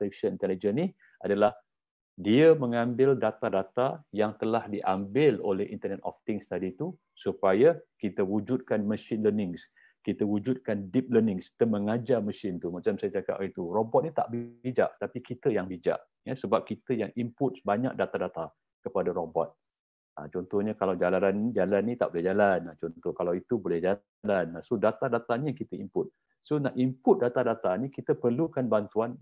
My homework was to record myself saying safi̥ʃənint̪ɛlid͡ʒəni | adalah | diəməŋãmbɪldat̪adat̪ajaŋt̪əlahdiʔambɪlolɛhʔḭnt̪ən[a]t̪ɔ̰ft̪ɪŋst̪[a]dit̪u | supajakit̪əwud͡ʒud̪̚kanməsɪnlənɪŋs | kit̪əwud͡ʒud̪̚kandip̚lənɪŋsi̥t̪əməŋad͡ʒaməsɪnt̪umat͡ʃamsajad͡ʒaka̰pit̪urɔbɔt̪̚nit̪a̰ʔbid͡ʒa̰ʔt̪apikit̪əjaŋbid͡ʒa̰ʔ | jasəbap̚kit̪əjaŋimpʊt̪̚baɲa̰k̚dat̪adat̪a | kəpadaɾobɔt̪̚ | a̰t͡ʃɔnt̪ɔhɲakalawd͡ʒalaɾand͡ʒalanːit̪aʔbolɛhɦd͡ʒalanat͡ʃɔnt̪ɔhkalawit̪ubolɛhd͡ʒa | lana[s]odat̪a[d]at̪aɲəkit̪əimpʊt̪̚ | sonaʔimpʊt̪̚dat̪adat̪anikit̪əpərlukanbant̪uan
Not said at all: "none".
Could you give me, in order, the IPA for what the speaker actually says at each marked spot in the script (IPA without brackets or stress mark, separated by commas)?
ɛ, a, s, d